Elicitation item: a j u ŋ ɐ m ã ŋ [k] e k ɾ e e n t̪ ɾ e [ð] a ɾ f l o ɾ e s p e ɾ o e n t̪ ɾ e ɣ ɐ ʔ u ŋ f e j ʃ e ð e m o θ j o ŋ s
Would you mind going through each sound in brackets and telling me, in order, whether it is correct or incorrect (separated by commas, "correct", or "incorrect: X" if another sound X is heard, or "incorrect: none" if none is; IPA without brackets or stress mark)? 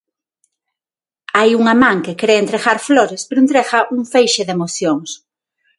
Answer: correct, incorrect: ɣ